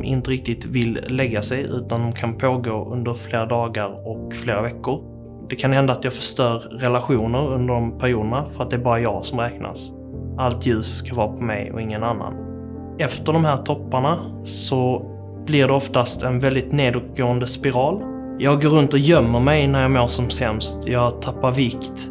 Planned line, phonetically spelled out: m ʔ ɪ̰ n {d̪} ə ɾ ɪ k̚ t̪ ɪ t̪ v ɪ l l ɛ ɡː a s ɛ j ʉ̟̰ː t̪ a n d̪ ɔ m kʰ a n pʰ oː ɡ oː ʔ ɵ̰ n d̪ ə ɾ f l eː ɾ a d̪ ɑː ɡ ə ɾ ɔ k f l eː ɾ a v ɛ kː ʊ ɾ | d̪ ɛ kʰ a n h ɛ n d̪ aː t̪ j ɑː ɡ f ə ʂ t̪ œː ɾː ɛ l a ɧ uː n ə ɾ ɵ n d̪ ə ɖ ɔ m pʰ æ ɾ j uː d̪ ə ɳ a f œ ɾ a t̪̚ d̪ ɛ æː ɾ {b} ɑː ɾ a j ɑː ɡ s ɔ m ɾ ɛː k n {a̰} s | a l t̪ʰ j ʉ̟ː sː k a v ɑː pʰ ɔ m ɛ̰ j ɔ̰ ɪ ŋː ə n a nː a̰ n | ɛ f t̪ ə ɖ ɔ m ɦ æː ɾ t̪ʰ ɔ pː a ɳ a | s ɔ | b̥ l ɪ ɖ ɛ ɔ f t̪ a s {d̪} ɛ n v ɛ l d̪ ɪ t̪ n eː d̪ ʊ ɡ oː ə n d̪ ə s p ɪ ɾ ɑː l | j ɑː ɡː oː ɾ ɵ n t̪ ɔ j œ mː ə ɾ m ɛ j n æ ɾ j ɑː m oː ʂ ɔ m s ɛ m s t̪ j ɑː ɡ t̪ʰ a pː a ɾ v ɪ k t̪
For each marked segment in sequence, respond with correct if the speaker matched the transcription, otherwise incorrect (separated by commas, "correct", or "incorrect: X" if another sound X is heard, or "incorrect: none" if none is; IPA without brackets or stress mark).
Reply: incorrect: t̪, correct, correct, incorrect: t̪